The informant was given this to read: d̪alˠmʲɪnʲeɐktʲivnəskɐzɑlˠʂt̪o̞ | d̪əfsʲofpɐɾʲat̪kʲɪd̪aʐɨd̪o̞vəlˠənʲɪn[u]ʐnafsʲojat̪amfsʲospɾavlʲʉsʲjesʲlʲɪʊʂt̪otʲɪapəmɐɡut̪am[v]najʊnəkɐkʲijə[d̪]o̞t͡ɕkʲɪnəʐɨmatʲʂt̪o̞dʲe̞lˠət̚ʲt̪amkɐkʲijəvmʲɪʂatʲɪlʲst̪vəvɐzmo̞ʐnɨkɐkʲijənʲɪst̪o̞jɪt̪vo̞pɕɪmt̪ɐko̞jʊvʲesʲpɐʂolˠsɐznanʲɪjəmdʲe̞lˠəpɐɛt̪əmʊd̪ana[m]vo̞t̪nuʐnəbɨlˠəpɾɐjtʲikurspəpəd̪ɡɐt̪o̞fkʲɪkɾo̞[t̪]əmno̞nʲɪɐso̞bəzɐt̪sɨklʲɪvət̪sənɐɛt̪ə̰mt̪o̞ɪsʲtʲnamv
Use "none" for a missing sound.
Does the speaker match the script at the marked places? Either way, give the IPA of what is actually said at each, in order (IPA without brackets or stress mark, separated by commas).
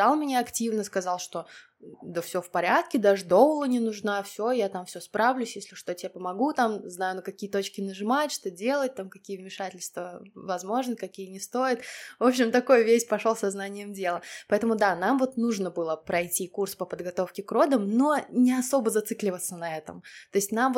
ʊ, z, t̪, m, d̪